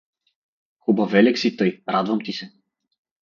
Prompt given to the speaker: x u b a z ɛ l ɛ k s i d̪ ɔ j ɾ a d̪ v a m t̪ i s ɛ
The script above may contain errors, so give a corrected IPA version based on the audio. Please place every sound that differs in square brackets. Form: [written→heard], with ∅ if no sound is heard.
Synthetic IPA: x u b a [z→v] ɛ l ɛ k s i [d̪→t̪] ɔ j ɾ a d̪ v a m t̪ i s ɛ